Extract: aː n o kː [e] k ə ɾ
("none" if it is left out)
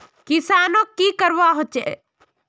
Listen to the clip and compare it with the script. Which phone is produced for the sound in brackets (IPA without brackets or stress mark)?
i